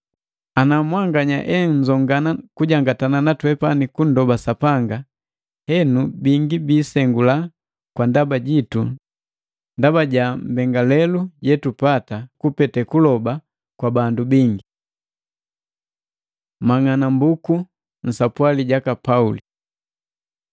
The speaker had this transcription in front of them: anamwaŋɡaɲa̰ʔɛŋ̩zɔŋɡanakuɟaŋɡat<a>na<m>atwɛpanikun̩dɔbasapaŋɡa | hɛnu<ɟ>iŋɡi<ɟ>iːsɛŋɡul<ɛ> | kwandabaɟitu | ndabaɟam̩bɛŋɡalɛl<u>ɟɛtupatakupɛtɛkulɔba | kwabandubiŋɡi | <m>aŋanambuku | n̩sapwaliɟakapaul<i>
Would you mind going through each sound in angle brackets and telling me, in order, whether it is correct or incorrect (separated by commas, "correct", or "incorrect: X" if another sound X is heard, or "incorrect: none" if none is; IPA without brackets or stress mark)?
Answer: correct, incorrect: n, incorrect: b, incorrect: b, incorrect: a, correct, correct, correct